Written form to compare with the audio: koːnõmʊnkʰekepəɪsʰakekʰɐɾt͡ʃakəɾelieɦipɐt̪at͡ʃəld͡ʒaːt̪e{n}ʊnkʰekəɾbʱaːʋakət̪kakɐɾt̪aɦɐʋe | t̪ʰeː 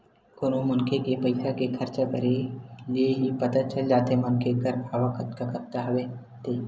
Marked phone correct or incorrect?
incorrect